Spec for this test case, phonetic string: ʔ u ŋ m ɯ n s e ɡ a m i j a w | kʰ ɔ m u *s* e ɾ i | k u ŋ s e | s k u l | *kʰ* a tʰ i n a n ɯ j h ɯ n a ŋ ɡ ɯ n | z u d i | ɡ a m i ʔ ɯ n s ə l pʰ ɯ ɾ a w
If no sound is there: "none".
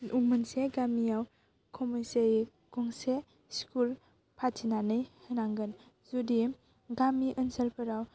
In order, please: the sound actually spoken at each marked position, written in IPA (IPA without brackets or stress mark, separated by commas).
s, pʰ